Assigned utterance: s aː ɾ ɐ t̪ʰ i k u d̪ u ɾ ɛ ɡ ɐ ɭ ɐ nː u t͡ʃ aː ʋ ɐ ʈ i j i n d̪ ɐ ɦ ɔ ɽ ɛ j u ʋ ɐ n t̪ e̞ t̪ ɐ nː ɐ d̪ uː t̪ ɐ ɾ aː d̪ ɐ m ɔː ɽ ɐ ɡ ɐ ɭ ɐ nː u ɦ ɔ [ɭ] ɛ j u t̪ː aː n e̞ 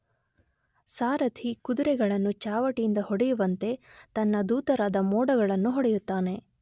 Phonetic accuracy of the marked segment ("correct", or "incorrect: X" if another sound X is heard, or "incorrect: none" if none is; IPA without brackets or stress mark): incorrect: ɽ